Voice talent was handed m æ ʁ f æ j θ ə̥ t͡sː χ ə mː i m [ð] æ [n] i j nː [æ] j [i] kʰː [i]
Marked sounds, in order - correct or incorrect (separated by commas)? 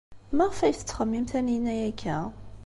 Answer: incorrect, correct, correct, incorrect, incorrect